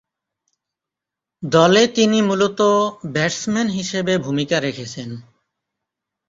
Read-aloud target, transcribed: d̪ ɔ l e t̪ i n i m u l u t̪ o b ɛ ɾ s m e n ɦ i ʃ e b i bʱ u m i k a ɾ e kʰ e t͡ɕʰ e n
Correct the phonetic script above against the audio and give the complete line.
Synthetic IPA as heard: d̪ ɔ l e t̪ i n i m u l o t̪ o b ɛ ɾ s m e n ɦ i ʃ e b e bʱ u m i k a ɾ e kʰ e t͡ɕʰ e n